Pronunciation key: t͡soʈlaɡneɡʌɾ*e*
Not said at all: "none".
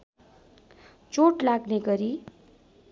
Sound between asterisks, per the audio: i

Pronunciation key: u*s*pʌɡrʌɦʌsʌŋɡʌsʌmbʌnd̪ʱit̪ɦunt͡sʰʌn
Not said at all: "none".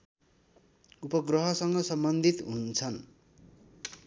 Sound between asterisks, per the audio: none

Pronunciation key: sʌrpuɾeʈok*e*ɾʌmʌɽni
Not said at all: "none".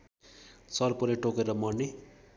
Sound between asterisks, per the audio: e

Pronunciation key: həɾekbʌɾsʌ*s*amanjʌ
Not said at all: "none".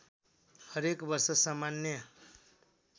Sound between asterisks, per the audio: s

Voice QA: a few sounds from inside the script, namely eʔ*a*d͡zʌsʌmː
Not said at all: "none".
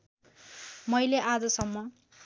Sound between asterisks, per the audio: a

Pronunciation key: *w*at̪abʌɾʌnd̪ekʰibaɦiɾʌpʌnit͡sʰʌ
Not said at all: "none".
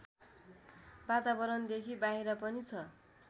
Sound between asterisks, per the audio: b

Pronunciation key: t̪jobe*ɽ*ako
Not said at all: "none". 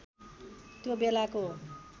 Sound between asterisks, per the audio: l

